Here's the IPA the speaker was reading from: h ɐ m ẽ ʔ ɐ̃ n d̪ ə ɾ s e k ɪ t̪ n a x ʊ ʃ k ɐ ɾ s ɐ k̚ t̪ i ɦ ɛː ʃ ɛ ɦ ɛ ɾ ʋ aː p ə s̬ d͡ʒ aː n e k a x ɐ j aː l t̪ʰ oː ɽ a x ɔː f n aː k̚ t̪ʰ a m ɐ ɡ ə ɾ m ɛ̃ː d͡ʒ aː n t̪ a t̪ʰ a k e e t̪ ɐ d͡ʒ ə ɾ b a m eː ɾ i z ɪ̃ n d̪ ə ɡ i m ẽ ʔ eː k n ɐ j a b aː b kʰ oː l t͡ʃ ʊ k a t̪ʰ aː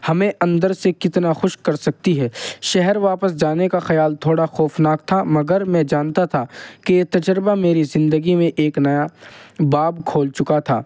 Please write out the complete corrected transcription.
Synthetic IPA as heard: h ɐ m ẽ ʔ ɐ̃ n d̪ ə ɾ s e k ɪ t̪ n a x ʊ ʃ k ɐ ɾ s ɐ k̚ t̪ i ɦ ɛː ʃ ɛ ɦ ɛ ɾ ʋ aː p ə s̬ d͡ʒ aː n e k a x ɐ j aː l t̪ʰ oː ɽ a x ɔː f n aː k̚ t̪ʰ a m ɐ ɡ ə ɾ m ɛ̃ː d͡ʒ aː n t̪ a t̪ʰ a k e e t̪ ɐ d͡ʒ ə ɾ b a m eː ɾ i z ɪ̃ n d̪ ə ɡ i m ẽ ʔ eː k n ɐ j a b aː b kʰ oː l t͡ʃ ʊ k a t̪ʰ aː